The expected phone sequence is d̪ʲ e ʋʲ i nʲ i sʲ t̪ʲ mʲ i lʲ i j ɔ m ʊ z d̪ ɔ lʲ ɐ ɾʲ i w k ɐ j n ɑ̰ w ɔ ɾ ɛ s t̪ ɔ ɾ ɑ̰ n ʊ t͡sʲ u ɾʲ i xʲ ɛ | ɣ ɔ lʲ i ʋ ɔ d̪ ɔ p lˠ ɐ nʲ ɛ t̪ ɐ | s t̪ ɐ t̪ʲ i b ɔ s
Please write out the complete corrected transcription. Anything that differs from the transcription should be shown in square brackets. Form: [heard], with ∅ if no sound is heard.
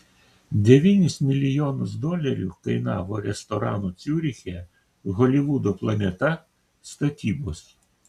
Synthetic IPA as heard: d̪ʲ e ʋʲ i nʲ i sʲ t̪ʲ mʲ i lʲ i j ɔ [n] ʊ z d̪ ɔ lʲ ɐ ɾʲ i w k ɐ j n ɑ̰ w ɔ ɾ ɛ s t̪ ɔ ɾ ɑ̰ n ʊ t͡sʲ u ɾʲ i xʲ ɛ | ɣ ɔ lʲ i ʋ [u] d̪ ɔ p lˠ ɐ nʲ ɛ t̪ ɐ | s t̪ ɐ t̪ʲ i b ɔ s